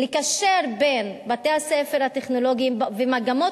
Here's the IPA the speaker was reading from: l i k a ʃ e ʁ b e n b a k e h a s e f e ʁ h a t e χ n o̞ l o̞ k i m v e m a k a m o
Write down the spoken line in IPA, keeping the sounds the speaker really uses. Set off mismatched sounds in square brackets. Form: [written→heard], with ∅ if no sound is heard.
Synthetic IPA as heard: l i k a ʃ e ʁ b e n b a [k→t] e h a s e f e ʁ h a t e χ n o̞ l o̞ [k→ɡ] i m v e m a [k→ɡ] a m o